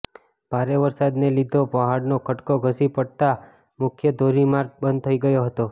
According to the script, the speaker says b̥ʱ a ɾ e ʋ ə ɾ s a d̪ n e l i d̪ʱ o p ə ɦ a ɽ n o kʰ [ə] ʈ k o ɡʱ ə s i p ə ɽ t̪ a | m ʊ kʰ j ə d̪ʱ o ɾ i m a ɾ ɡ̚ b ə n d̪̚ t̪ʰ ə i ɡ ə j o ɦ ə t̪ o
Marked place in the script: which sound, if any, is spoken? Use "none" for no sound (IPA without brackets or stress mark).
ə